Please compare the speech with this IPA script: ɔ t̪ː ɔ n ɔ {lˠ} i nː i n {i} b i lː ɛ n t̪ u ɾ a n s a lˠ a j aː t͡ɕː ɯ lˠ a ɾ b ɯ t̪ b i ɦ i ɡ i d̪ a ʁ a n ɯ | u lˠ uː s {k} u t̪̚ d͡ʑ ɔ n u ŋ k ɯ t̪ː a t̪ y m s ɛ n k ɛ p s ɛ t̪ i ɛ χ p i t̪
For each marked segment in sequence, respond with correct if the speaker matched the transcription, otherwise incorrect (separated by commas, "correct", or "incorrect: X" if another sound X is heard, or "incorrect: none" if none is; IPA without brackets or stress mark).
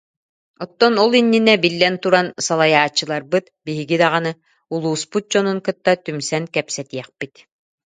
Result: correct, incorrect: ɛ, incorrect: p